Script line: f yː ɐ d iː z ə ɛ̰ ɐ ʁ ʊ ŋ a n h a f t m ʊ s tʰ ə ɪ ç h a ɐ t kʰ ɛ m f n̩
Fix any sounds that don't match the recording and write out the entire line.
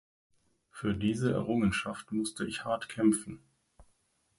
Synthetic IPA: f yː ɐ d iː z ə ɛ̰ ɐ ʁ ʊ ŋ ə n ʃ a f t m ʊ s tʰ ə ɪ ç h a ɐ t kʰ ɛ m f n̩